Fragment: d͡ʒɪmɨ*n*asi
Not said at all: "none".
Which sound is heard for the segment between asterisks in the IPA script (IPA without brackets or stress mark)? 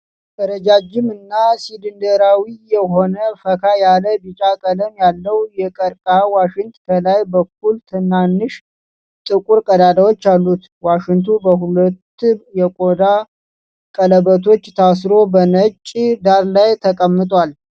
nː